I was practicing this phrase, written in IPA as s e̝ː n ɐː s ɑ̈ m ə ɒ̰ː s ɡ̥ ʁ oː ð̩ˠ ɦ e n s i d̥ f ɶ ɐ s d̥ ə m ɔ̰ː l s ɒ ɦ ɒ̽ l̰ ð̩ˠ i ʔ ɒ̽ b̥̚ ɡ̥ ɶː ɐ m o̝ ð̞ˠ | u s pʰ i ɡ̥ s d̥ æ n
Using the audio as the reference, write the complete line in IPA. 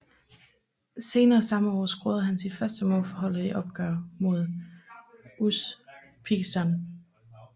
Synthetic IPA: s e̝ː n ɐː s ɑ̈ m ə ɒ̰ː s ɡ̥ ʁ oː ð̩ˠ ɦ æ n s i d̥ f ɶ ɐ s d̥ ə m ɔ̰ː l f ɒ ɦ ɒ̽ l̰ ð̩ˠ i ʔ ɒ̽ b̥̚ ɡ̥ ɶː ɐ m o̝ ð̞ˠ | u s pʰ i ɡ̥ s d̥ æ n

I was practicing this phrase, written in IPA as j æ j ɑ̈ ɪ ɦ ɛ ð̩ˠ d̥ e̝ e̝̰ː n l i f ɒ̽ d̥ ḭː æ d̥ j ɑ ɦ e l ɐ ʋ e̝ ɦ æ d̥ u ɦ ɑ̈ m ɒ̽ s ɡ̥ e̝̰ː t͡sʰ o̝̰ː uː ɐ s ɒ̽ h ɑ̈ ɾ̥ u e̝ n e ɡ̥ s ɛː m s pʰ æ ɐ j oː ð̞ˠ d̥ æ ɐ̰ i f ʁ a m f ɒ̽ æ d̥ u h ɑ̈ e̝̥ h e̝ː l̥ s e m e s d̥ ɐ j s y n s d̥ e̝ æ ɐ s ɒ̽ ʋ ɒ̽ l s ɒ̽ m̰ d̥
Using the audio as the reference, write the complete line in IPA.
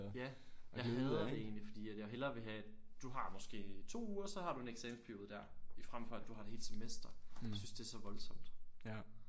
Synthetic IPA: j æ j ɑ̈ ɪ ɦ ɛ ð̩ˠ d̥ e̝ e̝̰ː n l i f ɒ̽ d̥ ḭː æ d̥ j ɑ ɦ e l ɐ ʋ e̝ ɦ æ d̥ u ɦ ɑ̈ m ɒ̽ s ɡ̥ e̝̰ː t͡sʰ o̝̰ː uː ɐ s ɒ̽ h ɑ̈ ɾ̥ u e̝ n e ɡ̥ s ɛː m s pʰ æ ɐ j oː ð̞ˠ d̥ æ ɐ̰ i f ʁ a m f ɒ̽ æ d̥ u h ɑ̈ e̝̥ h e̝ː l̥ s e m e s d̥ ɐ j s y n s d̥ e̝ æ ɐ s ɒ̽ ʋ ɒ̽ l s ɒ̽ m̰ d̥

